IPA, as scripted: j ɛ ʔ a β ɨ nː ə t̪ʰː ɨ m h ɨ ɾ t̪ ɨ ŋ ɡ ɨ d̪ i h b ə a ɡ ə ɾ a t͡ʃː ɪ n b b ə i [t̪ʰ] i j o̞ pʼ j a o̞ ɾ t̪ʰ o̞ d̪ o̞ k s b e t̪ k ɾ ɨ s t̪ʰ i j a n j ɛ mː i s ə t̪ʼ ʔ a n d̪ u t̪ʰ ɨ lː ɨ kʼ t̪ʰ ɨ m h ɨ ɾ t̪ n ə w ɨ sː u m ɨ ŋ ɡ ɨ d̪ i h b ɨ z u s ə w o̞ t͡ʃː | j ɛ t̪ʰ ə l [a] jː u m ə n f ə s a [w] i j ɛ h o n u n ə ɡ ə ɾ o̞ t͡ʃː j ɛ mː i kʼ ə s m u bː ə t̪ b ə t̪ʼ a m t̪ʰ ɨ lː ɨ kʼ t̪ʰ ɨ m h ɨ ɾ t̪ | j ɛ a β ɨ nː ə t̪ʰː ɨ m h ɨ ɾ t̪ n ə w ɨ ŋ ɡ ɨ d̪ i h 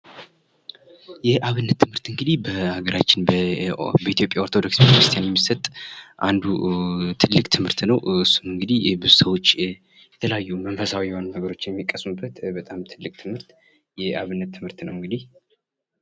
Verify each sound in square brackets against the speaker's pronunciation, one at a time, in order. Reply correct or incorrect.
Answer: incorrect, correct, correct

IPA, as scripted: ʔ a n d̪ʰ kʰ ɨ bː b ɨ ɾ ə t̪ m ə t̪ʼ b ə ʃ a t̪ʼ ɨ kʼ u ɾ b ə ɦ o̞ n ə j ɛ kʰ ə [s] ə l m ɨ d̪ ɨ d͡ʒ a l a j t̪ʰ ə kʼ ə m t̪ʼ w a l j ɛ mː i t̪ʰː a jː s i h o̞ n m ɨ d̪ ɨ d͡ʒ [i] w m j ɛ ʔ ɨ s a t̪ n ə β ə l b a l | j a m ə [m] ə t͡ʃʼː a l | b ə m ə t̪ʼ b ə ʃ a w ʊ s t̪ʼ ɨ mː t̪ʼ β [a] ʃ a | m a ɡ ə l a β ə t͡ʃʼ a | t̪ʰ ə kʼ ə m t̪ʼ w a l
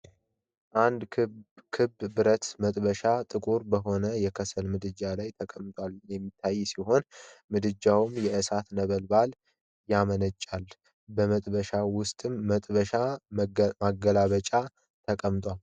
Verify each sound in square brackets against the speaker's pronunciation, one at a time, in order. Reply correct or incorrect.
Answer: correct, incorrect, incorrect, incorrect

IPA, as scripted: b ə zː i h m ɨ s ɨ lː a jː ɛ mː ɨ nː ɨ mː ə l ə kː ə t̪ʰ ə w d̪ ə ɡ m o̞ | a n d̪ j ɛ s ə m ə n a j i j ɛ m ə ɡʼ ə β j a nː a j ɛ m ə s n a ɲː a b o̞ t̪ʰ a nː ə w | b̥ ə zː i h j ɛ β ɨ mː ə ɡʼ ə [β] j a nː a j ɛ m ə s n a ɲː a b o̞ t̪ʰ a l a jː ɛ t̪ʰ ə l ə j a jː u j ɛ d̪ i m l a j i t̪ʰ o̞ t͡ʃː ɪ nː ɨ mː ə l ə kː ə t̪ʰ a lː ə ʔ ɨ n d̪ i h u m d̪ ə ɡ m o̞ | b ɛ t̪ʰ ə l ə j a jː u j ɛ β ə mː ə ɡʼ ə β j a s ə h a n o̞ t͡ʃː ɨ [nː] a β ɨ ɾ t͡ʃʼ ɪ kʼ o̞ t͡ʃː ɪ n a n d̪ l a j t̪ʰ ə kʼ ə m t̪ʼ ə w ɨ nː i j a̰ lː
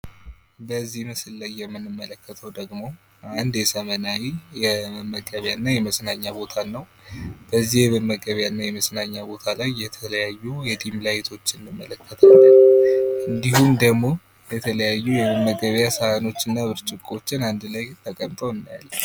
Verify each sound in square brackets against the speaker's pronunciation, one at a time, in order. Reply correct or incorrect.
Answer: correct, correct

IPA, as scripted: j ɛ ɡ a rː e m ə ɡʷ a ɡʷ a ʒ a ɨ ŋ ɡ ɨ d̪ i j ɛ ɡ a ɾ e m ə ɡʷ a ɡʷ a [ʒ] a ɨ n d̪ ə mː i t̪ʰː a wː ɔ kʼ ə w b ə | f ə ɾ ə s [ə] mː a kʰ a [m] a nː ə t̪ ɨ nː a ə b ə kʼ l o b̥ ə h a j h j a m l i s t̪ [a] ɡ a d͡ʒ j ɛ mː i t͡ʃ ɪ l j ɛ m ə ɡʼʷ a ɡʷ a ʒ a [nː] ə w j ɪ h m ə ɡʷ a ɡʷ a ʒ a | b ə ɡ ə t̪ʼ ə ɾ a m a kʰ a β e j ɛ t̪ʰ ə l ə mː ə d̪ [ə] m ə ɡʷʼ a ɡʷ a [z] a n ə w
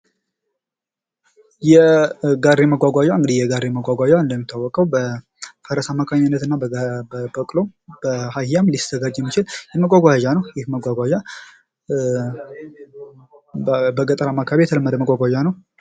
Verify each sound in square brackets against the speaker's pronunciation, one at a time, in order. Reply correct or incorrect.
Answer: correct, incorrect, incorrect, incorrect, incorrect, correct, incorrect

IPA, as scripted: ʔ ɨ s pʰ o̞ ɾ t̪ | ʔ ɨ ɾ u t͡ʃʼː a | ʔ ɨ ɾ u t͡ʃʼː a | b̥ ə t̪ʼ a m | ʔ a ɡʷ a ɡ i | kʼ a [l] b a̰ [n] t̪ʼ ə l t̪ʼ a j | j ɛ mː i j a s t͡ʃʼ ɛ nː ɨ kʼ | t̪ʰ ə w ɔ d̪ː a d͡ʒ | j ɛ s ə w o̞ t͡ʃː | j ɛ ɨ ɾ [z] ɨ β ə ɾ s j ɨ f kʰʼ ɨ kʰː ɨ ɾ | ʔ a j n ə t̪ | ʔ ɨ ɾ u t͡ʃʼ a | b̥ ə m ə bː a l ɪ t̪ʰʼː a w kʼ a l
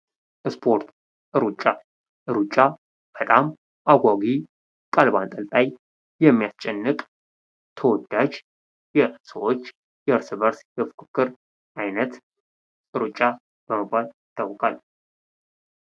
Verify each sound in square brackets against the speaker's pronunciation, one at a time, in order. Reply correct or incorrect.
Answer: correct, correct, incorrect

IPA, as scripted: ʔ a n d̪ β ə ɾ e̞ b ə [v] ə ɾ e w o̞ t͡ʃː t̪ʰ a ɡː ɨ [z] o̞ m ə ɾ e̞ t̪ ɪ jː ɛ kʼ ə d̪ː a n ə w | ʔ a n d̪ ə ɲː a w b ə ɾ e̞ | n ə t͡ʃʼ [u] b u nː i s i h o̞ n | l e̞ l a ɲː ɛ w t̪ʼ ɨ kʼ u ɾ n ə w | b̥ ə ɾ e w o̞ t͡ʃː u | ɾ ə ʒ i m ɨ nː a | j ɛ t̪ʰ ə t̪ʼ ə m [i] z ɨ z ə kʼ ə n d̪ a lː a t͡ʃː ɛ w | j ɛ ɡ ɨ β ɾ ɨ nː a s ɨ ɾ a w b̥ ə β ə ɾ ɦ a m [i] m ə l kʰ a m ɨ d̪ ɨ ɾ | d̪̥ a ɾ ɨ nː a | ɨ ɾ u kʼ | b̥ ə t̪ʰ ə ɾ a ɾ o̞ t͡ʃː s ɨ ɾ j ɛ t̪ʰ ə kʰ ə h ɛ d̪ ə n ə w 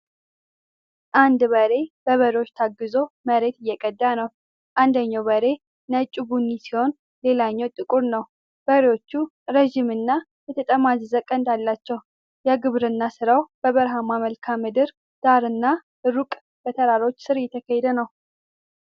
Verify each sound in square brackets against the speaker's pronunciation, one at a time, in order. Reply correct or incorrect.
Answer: incorrect, correct, correct, incorrect, incorrect

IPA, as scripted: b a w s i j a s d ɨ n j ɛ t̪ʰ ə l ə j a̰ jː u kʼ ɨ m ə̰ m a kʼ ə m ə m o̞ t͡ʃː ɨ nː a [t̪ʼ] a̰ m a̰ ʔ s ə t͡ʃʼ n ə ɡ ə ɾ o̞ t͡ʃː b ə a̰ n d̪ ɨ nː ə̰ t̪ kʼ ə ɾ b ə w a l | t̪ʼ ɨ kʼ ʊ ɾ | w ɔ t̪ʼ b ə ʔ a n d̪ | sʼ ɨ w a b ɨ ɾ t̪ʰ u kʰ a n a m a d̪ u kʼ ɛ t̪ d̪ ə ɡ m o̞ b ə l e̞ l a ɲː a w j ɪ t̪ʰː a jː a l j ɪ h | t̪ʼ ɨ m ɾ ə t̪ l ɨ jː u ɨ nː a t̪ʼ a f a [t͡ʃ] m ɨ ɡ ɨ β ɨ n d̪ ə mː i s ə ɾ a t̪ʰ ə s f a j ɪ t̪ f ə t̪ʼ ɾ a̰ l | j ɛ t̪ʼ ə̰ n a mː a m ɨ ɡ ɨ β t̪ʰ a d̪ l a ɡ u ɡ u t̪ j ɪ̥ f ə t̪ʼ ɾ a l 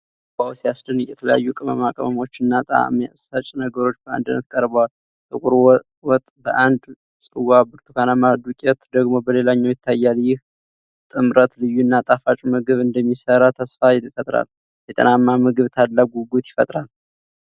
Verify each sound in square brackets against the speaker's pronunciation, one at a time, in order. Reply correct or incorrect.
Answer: correct, incorrect

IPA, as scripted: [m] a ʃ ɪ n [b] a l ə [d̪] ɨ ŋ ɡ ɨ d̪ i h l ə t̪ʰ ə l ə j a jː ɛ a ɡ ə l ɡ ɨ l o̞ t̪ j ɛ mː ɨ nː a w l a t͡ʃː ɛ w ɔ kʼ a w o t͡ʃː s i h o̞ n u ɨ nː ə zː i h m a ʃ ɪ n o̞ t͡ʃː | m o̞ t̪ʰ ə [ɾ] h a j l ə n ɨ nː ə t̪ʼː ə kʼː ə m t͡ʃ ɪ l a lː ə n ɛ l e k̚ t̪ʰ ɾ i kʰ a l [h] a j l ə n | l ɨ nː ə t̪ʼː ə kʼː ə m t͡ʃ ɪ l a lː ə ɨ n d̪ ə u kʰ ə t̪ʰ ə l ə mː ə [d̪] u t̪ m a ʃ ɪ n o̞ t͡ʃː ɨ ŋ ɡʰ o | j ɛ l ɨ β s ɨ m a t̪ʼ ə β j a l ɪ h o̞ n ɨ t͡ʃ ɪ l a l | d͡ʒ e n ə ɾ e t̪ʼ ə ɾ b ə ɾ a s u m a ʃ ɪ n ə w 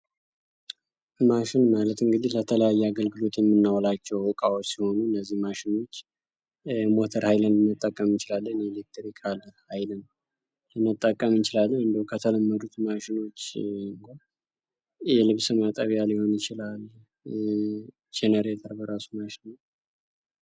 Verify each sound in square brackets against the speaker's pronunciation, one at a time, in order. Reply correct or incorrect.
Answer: correct, incorrect, incorrect, correct, correct, correct

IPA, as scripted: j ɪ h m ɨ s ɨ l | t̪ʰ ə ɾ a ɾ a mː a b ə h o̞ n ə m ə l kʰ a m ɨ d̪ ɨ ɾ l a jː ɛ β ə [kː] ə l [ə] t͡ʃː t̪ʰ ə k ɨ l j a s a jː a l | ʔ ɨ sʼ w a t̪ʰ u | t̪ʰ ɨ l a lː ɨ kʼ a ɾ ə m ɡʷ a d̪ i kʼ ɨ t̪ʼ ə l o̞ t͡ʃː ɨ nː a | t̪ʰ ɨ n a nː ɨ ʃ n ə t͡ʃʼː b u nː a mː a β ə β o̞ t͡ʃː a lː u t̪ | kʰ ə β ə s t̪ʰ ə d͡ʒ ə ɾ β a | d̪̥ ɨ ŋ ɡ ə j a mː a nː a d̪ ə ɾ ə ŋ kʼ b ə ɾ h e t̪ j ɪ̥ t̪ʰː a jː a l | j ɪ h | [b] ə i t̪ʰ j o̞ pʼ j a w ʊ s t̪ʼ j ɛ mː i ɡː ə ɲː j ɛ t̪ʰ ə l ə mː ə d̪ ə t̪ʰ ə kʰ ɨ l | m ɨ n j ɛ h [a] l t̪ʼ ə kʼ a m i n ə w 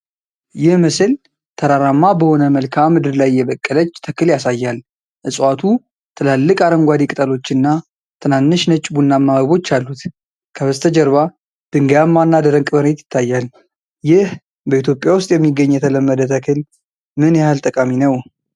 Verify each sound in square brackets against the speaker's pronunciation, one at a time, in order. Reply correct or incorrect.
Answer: incorrect, correct, correct, correct

